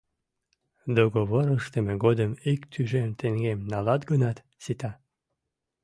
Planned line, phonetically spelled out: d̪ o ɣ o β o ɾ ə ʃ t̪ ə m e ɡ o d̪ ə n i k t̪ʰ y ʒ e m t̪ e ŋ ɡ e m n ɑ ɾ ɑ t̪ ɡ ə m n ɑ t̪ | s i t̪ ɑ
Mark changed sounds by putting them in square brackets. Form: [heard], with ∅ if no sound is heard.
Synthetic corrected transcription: d̪ o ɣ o β o ɾ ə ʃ t̪ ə m e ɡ o d̪ ə [m] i k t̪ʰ y ʒ e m t̪ e ŋ ɡ e m n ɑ [l] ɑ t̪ ɡ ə [∅] n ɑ t̪ | s i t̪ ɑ